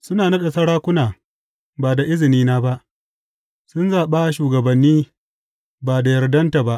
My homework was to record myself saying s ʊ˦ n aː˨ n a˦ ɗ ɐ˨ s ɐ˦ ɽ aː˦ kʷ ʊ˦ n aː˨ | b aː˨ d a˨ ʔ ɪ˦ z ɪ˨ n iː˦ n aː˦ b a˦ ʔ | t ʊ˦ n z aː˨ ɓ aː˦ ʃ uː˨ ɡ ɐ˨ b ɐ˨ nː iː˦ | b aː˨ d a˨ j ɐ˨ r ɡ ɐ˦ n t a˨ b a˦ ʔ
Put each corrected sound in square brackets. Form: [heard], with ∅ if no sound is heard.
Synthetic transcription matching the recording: s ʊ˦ n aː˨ n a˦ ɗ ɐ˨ s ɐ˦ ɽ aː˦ kʷ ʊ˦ n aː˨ | b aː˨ d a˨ ʔ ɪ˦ z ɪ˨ n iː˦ n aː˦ b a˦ ʔ | [s] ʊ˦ n z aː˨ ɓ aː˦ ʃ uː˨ ɡ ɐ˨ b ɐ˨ nː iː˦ | b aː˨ d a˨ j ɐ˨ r [d] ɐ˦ n t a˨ b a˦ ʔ

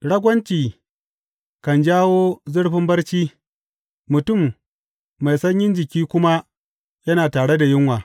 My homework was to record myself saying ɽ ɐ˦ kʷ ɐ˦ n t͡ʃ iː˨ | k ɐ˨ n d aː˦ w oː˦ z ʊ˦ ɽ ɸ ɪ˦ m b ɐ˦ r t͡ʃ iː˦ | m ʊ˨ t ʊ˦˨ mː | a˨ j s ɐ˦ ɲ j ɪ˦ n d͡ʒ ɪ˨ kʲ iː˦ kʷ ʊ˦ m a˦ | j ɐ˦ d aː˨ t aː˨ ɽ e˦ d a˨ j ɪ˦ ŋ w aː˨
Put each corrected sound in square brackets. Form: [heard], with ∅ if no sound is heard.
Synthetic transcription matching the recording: ɽ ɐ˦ [ɡʷ] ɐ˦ n t͡ʃ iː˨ | k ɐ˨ n [d͡ʒ] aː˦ w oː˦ z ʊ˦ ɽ ɸ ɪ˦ m b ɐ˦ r t͡ʃ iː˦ | m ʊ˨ t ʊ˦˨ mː | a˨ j s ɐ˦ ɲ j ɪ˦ n d͡ʒ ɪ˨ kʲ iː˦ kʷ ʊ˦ m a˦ | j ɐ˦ [n] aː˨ t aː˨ ɽ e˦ d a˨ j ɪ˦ ŋ w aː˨

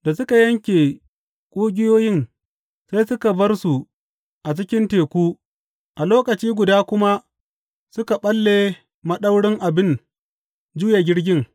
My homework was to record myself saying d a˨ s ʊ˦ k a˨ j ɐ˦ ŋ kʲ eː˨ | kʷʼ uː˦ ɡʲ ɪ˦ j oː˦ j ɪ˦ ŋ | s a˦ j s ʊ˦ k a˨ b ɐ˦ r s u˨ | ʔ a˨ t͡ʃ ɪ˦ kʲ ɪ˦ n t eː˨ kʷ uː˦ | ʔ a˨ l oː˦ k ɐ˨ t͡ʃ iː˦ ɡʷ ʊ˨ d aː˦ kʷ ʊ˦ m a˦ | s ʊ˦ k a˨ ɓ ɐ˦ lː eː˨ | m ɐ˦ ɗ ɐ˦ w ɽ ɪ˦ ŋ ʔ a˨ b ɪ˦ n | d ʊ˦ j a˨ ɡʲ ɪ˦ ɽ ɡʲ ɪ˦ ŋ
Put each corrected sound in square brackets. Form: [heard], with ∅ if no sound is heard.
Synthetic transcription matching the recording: d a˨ s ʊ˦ k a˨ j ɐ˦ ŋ kʲ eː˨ | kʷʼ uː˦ ɡʲ ɪ˦ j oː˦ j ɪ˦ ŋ | s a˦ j s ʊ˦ k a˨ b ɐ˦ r s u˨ | ʔ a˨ t͡ʃ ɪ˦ kʲ ɪ˦ n t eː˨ kʷ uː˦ | ʔ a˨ l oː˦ k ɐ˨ t͡ʃ iː˦ ɡʷ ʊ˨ d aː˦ kʷ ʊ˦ m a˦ | s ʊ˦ k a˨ ɓ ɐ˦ lː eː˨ | m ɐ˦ ɗ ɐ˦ w ɽ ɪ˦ ŋ ʔ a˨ b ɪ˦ n | [d͡ʒ] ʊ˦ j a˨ ɡʲ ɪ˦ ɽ ɡʲ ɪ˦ ŋ

